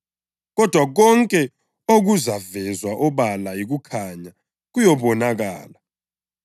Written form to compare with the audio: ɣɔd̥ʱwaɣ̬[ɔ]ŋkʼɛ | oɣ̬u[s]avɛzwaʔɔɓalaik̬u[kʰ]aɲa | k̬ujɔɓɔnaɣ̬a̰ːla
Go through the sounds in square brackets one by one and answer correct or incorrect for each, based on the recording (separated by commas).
correct, incorrect, correct